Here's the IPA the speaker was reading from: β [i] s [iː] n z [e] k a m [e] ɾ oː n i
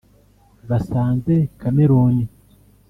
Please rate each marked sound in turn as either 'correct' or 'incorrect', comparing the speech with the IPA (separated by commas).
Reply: incorrect, incorrect, correct, correct